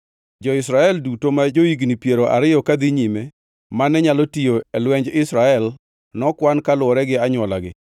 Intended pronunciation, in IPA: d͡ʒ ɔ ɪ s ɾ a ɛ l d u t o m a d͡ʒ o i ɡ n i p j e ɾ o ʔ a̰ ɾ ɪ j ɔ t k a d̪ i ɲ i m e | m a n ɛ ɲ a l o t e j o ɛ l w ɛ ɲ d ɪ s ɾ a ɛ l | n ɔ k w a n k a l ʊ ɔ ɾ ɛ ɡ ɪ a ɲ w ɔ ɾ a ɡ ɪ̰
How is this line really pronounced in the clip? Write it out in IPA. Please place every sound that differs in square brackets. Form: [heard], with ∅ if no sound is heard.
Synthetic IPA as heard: d͡ʒ ɔ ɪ s ɾ a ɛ l d u t o m a d͡ʒ o i ɡ n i p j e ɾ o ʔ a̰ ɾ ɪ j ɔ [∅] k a d̪ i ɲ i m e | m a n ɛ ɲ a l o t [i] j o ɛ l w ɛ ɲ [d͡ʒ] ɪ s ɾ a ɛ l | n ɔ k w a n k a l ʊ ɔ ɾ ɛ ɡ ɪ a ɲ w ɔ [l] a ɡ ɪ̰